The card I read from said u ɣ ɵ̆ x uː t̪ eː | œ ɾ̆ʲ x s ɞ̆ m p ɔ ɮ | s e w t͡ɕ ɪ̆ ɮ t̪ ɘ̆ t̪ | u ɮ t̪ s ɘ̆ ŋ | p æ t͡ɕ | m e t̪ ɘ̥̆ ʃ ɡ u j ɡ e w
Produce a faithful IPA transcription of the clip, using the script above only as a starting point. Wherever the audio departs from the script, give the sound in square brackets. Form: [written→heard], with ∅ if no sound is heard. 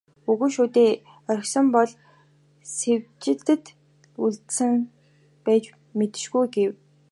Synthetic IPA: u ɣ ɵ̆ [x→ʃ] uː t̪ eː | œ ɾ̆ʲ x s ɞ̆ m p ɔ ɮ | s e w t͡ɕ ɪ̆ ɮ t̪ ɘ̆ t̪ | u ɮ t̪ s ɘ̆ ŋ | p [æ→æː] t͡ɕ | m e t̪ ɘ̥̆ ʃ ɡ u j ɡ e w